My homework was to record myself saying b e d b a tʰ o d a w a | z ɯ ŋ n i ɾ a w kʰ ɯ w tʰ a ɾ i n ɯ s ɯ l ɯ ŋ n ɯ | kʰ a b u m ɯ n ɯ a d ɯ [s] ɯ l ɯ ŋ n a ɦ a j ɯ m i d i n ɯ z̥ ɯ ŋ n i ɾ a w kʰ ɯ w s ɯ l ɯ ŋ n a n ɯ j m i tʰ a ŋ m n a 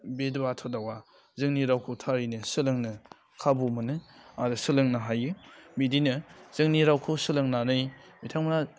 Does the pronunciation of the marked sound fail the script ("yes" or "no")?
no